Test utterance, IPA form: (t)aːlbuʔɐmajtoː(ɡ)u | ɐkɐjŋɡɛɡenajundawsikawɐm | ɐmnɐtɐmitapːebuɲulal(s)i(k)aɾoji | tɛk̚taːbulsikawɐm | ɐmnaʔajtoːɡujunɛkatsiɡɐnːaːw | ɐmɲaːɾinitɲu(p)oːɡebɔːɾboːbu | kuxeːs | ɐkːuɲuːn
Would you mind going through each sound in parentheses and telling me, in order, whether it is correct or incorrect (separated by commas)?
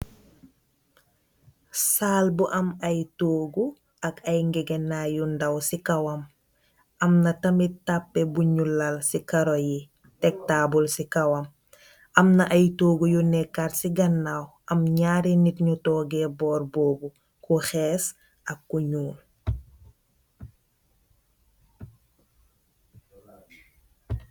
incorrect, correct, correct, correct, incorrect